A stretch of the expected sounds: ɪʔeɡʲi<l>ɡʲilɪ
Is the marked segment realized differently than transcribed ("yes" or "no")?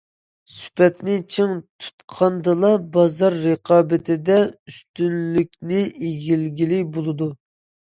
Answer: no